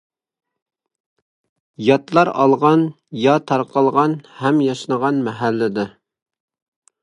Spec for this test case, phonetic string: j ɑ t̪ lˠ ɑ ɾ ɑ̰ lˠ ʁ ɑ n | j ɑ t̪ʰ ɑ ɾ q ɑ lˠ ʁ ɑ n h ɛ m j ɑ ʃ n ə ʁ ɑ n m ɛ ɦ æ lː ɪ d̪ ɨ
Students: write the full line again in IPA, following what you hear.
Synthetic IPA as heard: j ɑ t̪ lˠ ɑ ɾ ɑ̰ lˠ ʁ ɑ n | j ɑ t̪ʰ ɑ ɾ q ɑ lˠ ʁ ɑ n h ɛ m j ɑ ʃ n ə ʁ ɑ n m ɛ ɦ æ lː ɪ d̪ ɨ

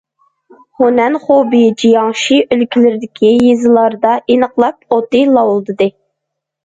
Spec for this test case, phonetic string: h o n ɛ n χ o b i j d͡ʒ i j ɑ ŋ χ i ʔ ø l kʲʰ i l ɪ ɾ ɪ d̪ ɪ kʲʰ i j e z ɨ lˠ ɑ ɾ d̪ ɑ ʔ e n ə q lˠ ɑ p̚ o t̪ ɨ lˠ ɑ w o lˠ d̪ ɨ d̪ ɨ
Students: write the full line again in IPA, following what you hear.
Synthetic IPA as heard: h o n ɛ n χ o b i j d͡ʒ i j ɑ ŋ ʃ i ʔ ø l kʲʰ i l ɪ ɾ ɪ d̪ ɪ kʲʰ i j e z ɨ lˠ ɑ ɾ d̪ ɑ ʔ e n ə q lˠ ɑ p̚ o t̪ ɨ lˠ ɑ w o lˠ d̪ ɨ d̪ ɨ

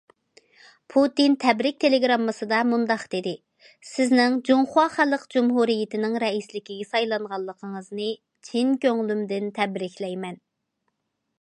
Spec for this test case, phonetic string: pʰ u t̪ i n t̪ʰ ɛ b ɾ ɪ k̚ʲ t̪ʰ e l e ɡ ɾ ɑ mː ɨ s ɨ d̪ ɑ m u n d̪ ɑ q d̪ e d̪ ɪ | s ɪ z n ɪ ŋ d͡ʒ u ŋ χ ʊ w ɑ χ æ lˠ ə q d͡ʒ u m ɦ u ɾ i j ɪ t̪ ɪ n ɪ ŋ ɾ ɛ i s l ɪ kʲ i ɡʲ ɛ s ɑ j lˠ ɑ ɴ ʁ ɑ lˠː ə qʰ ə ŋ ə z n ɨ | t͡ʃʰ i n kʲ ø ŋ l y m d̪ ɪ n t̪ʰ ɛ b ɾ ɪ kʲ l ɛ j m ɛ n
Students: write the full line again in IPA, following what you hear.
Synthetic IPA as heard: pʰ u t̪ i n t̪ʰ ɛ b ɾ ɪ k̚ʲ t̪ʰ e l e ɡ ɾ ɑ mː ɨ s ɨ d̪ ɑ m u n d̪ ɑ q d̪ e d̪ ɪ | s ɪ z n ɪ ŋ d͡ʒ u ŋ χ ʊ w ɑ χ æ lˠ ə q d͡ʒ u m ɦ u ɾ i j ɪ t̪ ɪ n ɪ ŋ ɾ ɛ i s l ɪ kʲ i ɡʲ ɛ s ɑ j lˠ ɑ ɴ ʁ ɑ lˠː ə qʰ ə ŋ ə z n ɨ | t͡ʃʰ i n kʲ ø ŋ l y m d̪ ɪ n t̪ʰ ɛ b ɾ ɪ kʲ l ɛ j m ɛ n

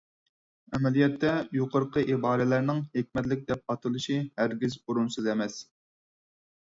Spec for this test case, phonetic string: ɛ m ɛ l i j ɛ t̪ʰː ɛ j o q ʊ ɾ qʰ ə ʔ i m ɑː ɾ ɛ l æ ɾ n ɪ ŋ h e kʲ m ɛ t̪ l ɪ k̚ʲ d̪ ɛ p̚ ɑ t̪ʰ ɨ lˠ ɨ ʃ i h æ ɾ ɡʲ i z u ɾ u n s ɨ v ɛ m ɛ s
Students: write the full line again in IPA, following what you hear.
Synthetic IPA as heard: ɛ m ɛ l i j ɛ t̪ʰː ɛ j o q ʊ ɾ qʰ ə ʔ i b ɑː ɾ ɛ l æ ɾ n ɪ ŋ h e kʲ m ɛ t̪ l ɪ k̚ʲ d̪ ɛ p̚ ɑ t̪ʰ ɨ lˠ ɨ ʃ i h æ ɾ ɡʲ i z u ɾ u n s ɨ z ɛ m ɛ s

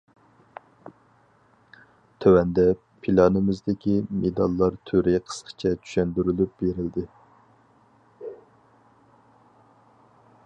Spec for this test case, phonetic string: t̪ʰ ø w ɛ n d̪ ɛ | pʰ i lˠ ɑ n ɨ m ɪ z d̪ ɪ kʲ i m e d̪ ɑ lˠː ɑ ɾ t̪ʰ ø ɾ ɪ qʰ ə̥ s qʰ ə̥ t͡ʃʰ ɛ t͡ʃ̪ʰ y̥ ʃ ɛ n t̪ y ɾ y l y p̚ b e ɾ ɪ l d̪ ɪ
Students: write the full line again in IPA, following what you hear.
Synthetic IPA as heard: t̪ʰ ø w ɛ n d̪ ɛ | pʰ i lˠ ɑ n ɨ m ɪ z d̪ ɪ kʲ i m e d̪ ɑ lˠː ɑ ɾ t̪ʰ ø ɾ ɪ qʰ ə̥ s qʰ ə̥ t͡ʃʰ ɛ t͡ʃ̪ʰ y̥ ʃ ɛ n d̪ y ɾ y l y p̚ b e ɾ ɪ l d̪ ɪ

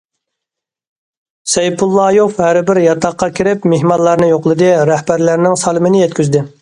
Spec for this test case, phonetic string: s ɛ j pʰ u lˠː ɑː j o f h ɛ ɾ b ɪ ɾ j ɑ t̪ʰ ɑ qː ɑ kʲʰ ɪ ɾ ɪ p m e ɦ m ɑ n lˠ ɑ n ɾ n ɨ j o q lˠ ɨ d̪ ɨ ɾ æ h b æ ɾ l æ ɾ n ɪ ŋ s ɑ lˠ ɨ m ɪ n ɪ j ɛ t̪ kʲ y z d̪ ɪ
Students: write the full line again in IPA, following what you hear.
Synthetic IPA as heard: s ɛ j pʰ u lˠː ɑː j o f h æ ɾ b ɪ ɾ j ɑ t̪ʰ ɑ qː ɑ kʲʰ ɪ ɾ ɪ p m e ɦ m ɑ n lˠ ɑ ɾ n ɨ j o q lˠ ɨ d̪ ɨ ɾ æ h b æ ɾ l æ ɾ n ɪ ŋ s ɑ lˠ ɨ m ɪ n ɪ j ɛ t̪ kʲ y z d̪ ɪ

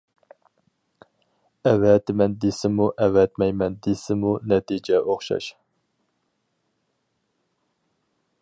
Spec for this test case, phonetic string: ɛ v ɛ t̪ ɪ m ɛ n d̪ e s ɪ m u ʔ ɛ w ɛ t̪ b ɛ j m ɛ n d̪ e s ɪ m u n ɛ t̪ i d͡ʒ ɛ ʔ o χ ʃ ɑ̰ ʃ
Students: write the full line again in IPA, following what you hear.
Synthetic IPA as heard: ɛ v ɛ t̪ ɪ m ɛ n d̪ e s ɪ m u ʔ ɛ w ɛ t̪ m ɛ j m ɛ n d̪ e s ɪ m u n ɛ t̪ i d͡ʒ ɛ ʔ o χ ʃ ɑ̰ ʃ

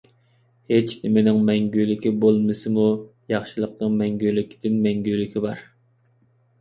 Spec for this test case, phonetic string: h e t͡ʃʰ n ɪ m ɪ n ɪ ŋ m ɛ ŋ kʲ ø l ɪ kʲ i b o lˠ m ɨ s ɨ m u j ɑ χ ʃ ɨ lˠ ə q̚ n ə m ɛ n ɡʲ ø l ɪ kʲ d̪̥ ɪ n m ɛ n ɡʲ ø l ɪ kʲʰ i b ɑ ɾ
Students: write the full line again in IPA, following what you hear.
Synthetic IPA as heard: h e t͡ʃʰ n ɪ m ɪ n ɪ ŋ m ɛ ŋ ɡʲ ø l ɪ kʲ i b o lˠ m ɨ s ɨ m u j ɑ χ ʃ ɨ lˠ ə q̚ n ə m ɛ ŋ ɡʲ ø l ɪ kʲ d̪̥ ɪ n m ɛ ŋ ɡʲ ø l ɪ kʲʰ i b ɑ ɾ

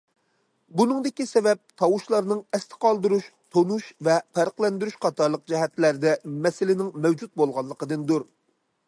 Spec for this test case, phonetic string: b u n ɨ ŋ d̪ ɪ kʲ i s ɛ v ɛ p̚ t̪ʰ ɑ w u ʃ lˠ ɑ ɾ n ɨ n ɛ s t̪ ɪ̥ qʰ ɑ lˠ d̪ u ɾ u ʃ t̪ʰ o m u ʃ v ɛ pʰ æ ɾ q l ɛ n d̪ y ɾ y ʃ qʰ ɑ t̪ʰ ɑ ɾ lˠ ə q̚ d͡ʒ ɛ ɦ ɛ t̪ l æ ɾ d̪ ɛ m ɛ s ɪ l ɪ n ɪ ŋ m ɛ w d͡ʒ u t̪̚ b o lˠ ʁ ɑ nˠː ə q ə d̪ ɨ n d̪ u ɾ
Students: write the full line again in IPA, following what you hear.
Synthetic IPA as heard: b u n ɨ ŋ d̪ ɪ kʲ i s ɛ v ɛ p̚ t̪ʰ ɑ w u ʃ lˠ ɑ ɾ n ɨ ŋ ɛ s t̪ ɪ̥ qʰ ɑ lˠ d̪ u ɾ u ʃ t̪ʰ o n u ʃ v ɛ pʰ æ ɾ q l ɛ n d̪ y ɾ y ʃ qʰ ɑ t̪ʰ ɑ ɾ lˠ ə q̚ d͡ʒ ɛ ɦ ɛ t̪ l æ ɾ d̪ ɛ m ɛ s ɪ l ɪ n ɪ ŋ m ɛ w d͡ʒ u t̪̚ b o lˠ ʁ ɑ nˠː ə q ə d̪ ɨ n d̪ u ɾ

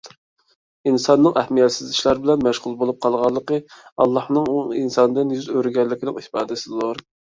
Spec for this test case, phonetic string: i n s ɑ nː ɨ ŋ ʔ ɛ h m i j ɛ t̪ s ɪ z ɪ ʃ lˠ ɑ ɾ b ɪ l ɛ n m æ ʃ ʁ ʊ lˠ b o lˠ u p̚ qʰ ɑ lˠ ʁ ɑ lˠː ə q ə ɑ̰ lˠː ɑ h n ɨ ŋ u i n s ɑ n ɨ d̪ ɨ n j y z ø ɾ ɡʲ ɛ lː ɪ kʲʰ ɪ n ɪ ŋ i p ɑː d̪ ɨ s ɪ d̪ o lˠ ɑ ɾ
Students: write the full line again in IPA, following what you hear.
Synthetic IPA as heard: i n s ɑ nː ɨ ŋ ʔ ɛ h m i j ɛ t̪ s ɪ z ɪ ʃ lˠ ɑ ɾ b ɪ l ɛ n m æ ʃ ʁ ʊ lˠ b o lˠ u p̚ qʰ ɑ lˠ ʁ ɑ lˠː ə q ə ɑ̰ lˠː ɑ h n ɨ ŋ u i n s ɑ n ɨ d̪ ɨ n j y z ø ɾ ɡʲ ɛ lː ɪ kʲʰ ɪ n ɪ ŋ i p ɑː d̪ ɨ s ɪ d̪ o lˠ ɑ ɾ

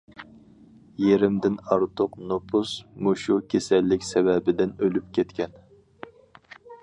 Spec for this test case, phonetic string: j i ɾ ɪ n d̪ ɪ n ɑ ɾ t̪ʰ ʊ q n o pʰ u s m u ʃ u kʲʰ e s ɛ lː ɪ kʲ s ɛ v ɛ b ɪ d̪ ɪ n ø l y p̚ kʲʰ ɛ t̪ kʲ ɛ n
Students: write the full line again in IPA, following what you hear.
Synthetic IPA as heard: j e ɾ ɪ m d̪ ɪ n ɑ ɾ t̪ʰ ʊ q n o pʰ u s m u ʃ u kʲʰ e s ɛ lː ɪ kʲ s ɛ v ɛ b ɪ d̪ ɪ n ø l y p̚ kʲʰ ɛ t̪ kʲ ɛ n

